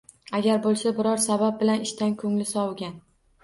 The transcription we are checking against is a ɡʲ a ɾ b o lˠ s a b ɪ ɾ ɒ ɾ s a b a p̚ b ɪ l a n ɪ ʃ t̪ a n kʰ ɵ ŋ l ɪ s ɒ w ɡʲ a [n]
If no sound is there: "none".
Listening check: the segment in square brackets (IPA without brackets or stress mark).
n